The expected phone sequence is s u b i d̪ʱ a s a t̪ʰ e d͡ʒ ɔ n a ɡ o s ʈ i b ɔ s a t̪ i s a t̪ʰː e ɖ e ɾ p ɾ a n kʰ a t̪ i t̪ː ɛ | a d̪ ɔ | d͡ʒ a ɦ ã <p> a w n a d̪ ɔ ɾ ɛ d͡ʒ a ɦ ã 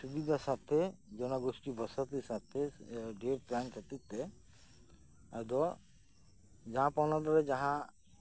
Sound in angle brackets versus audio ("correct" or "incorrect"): correct